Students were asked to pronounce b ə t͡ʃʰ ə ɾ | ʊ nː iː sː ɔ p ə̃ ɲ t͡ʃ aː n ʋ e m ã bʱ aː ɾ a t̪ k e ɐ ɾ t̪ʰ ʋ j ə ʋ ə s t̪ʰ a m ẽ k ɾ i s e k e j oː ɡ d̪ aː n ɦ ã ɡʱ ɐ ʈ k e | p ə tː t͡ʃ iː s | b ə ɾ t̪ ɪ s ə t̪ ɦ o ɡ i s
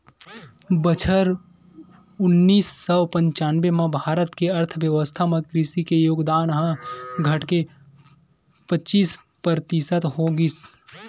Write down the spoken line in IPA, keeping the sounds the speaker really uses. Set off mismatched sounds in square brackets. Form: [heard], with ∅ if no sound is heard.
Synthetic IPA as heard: b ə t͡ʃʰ ə ɾ | ʊ nː iː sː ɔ p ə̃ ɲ t͡ʃ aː n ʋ e m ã bʱ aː ɾ [ə] t̪ k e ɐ ɾ t̪ʰ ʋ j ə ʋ ə s t̪ʰ a m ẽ k ɾ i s [i] k e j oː ɡ d̪ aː n ɦ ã ɡʱ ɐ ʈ k e | p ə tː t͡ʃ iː s | [p] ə ɾ t̪ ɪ s ə t̪ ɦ o ɡ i s